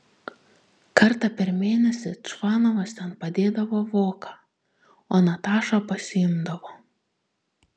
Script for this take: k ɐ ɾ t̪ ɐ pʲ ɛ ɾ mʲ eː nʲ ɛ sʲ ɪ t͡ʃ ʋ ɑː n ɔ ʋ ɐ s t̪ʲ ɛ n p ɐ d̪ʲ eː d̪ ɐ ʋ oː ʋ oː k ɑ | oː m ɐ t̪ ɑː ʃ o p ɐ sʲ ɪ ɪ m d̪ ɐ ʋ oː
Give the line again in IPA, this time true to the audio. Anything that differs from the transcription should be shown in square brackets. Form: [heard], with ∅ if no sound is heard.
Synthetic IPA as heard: k ɐ ɾ t̪ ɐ pʲ ɛ ɾ mʲ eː nʲ ɛ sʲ ɪ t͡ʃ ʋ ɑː n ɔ ʋ ɐ s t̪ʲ ɛ n p ɐ d̪ʲ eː d̪ ɐ ʋ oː ʋ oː k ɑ | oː [n] ɐ t̪ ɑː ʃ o p ɐ sʲ ɪ ɪ m d̪ ɐ ʋ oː